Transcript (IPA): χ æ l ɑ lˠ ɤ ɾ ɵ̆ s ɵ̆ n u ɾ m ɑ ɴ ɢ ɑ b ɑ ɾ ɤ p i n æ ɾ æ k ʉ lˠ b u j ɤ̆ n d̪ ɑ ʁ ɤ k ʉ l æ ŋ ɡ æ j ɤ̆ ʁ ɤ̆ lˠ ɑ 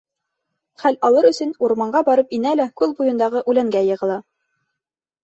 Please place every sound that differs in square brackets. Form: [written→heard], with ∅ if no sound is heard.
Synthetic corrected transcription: χ æ l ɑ lˠ ɤ ɾ ɵ̆ s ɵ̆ n u ɾ m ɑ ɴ ɢ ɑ b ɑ ɾ ɤ p i n æ [ɾ→l] æ k ʉ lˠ b u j ɤ̆ n d̪ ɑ ʁ ɤ [k→ʔ] ʉ l æ ŋ ɡ æ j ɤ̆ ʁ ɤ̆ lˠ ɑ